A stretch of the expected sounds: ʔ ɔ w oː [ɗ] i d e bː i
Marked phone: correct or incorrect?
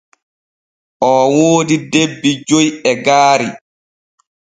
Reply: incorrect